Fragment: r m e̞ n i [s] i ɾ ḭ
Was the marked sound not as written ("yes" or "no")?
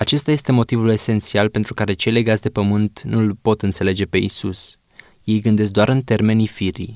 yes